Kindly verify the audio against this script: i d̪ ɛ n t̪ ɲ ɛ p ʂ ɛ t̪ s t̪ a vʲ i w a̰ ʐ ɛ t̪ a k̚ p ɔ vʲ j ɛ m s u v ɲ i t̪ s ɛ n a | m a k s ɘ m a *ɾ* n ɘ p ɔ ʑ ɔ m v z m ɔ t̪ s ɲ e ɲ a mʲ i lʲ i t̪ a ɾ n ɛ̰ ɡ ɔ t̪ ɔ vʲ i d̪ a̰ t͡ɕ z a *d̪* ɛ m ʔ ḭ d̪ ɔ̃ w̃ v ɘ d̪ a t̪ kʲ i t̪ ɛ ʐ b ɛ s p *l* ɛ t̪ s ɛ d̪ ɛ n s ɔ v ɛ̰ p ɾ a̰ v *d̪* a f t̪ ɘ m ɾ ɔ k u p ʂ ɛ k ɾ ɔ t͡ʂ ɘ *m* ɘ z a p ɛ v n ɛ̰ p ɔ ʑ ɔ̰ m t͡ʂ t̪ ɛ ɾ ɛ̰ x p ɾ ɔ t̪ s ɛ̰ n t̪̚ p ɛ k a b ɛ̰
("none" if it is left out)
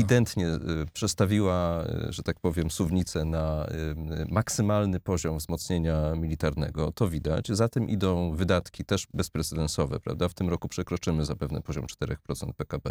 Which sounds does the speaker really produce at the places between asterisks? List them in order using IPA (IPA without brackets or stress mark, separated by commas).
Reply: l, t̪, ɾ, d̪, m